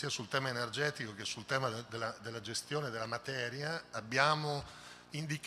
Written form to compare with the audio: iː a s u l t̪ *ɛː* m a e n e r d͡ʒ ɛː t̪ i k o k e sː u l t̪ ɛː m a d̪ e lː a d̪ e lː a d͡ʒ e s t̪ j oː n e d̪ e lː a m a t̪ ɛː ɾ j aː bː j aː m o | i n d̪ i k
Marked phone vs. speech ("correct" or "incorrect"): correct